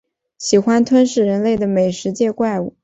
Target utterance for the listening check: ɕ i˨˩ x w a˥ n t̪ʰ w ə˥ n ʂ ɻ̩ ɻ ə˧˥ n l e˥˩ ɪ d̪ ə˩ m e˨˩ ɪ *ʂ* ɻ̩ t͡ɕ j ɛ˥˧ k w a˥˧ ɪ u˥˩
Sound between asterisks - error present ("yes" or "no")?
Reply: no